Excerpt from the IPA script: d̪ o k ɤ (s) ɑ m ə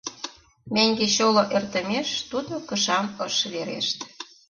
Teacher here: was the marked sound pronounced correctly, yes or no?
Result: no